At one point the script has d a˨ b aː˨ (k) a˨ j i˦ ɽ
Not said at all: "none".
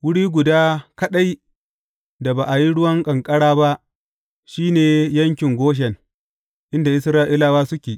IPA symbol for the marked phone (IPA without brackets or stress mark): ʔ